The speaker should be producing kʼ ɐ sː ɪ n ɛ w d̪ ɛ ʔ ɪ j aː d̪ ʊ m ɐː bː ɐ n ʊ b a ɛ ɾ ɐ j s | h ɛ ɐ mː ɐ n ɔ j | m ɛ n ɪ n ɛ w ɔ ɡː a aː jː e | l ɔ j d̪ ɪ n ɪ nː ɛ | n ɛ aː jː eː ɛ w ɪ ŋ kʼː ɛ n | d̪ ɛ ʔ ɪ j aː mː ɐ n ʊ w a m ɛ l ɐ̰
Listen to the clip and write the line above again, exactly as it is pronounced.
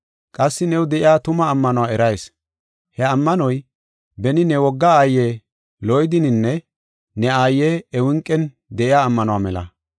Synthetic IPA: kʼ ɐ sː ɪ n ɛ w d̪ ɛ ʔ ɪ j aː t̪ ʊ m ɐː mː ɐ n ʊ w a ɛ ɾ ɐ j s | h ɛ ɐ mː ɐ n ɔ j | b ɛ n ɪ n ɛ w ɔ ɡː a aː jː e | l ɔ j d̪ ɪ n ɪ nː ɛ | n ɛ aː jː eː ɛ w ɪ ŋ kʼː ɛ n | d̪ ɛ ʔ ɪ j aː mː ɐ n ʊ w a m ɛ l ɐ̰